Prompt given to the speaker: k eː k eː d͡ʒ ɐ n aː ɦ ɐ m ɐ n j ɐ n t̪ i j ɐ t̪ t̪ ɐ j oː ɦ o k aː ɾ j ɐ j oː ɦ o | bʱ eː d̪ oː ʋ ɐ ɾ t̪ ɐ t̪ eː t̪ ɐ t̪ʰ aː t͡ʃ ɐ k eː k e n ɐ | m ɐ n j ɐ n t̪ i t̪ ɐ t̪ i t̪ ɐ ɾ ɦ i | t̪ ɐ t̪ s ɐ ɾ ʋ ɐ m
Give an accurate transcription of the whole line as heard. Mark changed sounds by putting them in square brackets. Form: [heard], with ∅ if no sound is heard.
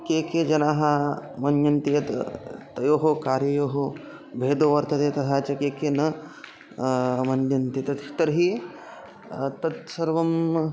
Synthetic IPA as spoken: k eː k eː d͡ʒ ɐ n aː ɦ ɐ m ɐ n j ɐ n t̪ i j ɐ t̪ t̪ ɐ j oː ɦ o k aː ɾ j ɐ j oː ɦ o | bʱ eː d̪ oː ʋ ɐ ɾ t̪ ɐ t̪ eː t̪ ɐ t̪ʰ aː t͡ʃ ɐ k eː k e n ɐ | m ɐ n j ɐ n t̪ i t̪ ɐ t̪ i t̪ ɐ ɾ ɦ i | t̪ ɐ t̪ s ɐ ɾ ʋ ɐ m